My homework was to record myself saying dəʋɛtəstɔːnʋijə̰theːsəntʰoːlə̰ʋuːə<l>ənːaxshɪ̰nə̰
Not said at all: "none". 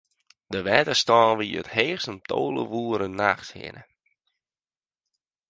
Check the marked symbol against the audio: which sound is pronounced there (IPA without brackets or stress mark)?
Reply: ɾ